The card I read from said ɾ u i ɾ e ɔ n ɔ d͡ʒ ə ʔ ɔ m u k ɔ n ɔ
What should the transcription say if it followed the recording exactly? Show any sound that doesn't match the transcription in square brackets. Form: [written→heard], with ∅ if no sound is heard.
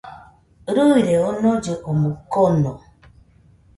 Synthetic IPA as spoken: ɾ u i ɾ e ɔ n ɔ d͡ʒ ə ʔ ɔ m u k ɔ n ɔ